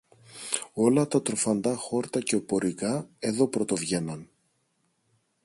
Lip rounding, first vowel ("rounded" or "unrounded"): rounded